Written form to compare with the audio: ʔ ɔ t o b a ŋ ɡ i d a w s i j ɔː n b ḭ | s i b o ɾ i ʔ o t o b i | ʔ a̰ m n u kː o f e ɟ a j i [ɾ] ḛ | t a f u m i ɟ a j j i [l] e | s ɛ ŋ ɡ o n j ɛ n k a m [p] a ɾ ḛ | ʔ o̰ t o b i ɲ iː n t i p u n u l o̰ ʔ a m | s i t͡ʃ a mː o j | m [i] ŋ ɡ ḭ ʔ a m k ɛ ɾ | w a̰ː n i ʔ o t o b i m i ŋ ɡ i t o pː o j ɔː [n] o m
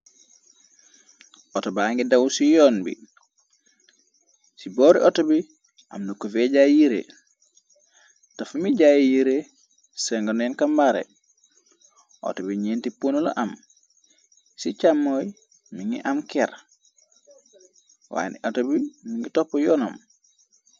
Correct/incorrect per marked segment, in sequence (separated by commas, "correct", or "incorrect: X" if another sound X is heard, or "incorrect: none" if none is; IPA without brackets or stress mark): correct, incorrect: ɾ, incorrect: b, correct, correct